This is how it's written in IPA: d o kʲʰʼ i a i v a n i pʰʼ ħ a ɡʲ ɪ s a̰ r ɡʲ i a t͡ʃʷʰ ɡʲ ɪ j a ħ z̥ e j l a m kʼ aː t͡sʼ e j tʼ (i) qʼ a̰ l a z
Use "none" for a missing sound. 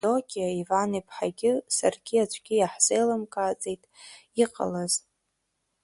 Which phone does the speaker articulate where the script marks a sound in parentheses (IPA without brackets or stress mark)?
i